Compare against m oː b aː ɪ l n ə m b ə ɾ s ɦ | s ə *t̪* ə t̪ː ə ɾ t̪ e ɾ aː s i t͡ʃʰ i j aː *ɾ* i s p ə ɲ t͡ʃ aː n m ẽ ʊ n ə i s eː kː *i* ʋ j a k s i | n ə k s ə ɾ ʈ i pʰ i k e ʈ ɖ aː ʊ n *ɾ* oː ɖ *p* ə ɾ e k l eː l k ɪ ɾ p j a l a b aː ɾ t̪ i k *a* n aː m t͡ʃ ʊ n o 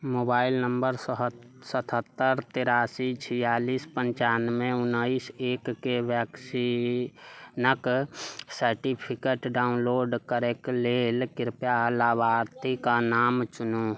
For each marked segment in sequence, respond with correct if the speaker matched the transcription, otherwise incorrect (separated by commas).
incorrect, incorrect, incorrect, incorrect, incorrect, correct